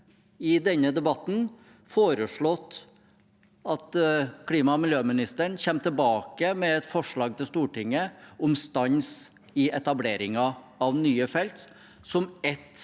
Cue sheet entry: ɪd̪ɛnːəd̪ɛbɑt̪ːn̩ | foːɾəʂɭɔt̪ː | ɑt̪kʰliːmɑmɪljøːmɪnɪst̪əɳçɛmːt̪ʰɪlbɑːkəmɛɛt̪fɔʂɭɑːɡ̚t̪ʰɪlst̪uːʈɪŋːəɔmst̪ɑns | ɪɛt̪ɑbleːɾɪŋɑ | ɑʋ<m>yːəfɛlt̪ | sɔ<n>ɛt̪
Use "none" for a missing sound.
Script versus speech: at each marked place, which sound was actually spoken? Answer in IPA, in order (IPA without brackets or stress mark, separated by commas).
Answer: n, m